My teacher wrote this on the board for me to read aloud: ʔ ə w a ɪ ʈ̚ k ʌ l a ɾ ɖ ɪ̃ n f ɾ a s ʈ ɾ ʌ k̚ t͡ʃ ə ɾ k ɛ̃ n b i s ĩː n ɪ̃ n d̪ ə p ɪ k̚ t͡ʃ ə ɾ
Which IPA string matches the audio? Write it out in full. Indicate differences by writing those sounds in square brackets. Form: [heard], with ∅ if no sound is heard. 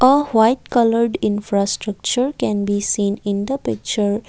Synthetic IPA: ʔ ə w a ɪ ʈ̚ k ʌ l [ə] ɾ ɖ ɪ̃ n f ɾ a s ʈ ɾ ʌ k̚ t͡ʃ ə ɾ k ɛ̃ n b i s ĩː n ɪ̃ n d̪ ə p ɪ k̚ t͡ʃ ə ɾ